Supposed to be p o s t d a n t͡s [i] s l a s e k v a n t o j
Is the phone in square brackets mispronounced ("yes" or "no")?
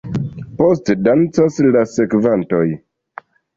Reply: yes